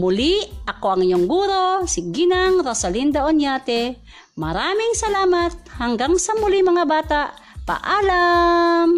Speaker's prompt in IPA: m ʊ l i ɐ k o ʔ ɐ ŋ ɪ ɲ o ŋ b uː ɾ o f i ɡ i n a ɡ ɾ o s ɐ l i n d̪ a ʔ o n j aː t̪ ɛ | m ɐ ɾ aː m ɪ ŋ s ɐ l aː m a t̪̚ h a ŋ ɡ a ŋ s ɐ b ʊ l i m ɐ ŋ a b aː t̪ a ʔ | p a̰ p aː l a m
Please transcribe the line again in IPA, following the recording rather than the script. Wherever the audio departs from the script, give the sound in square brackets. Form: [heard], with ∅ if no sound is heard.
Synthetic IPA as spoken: m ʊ l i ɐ k o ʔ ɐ ŋ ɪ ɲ o ŋ [ɡ] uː ɾ o [s] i ɡ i n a [ŋ] ɾ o s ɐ l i n d̪ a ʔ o n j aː t̪ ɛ | m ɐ ɾ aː m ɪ ŋ s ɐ l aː m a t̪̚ h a ŋ ɡ a ŋ s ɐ [m] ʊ l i m ɐ ŋ a b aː t̪ a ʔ | p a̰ [ʔ] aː l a m